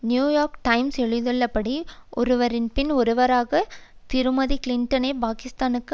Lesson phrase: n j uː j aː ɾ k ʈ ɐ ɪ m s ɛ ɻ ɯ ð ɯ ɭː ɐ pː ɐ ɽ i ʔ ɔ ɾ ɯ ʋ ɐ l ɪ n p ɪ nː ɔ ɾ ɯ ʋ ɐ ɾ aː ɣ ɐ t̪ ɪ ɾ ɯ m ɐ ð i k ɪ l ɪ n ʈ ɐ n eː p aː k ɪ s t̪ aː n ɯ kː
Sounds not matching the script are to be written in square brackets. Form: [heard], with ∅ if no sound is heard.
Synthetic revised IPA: n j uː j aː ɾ k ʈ ɐ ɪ m s ɛ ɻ ɯ ð ɯ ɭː ɐ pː ɐ ɽ i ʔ ɔ ɾ ɯ ʋ ɐ [ɾ] ɪ n p ɪ [n] ɔ ɾ ɯ ʋ ɐ ɾ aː ɣ ɐ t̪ ɪ ɾ ɯ m ɐ ð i k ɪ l ɪ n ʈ ɐ n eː p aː k ɪ s t̪ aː n ɯ kː